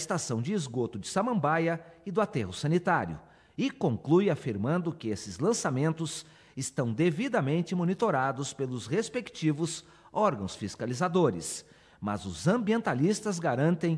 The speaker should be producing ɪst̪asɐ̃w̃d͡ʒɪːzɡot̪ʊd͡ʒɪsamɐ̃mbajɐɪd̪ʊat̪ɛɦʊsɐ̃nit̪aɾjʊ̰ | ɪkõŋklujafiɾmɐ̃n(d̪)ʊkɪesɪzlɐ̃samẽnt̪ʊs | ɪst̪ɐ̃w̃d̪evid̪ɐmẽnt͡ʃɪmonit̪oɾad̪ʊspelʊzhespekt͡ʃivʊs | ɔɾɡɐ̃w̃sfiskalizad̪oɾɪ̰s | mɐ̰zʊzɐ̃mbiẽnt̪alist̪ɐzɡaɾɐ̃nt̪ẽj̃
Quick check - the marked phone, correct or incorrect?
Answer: correct